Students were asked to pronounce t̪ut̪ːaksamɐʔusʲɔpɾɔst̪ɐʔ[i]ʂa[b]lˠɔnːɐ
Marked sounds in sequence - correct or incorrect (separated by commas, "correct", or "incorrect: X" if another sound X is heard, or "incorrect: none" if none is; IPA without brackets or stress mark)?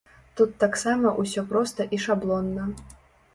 correct, correct